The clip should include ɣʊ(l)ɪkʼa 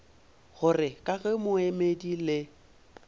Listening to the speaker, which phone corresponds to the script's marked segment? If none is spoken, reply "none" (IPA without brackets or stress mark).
r